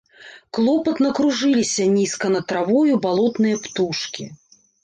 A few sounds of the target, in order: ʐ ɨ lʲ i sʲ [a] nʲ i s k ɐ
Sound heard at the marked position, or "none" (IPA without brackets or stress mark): ɐ